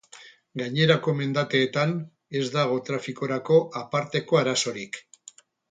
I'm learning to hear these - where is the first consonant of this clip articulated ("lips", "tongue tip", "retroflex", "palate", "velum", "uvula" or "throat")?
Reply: velum